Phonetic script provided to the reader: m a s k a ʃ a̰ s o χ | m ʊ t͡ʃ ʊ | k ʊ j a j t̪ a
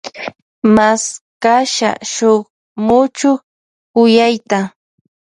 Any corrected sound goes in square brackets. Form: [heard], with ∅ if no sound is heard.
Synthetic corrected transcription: m a s k a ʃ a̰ [ʃ] o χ | m ʊ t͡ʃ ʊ | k ʊ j a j t̪ a

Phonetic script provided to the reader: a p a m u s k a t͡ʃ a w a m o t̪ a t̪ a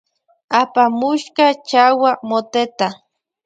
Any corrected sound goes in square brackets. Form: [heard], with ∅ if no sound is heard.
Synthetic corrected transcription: a p a m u [ʃ] k a t͡ʃ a w a m o t̪ [e] t̪ a

